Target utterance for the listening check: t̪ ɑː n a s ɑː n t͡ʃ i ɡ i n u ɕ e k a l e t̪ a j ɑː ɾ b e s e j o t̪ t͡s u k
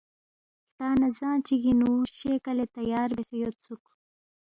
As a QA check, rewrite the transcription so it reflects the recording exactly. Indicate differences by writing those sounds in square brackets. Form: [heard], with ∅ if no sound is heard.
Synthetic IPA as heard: t̪ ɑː n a [z] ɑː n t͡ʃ i ɡ i n u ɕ e k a l e t̪ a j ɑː ɾ b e s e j o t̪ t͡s u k